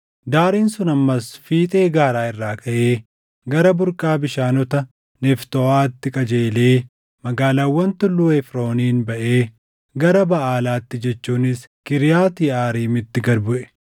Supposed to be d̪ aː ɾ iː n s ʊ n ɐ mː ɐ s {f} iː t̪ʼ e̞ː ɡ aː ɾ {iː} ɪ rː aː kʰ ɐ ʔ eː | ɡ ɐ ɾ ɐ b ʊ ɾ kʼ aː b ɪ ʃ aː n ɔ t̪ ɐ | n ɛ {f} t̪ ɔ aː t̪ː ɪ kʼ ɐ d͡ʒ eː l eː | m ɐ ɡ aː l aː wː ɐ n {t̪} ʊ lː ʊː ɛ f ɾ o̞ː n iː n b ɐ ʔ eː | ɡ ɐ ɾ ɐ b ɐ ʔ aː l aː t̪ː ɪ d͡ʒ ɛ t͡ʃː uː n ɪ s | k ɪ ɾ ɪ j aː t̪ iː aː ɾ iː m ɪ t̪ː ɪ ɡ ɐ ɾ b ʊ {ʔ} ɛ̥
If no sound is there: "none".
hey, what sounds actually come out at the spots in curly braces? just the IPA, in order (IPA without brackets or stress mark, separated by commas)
f, aː, f, t̪, ʔ